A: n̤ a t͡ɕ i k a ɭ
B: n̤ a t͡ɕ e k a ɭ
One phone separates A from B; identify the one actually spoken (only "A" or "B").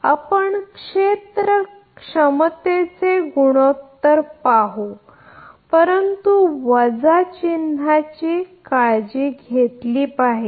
A